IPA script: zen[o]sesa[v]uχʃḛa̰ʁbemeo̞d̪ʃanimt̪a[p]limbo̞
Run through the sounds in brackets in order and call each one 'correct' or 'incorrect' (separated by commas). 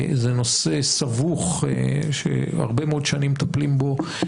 correct, correct, correct